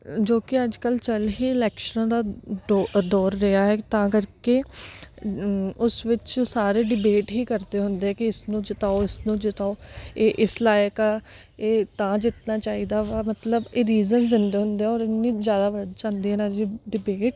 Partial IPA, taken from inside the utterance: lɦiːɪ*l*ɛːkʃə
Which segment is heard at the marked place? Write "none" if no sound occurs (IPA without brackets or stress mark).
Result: l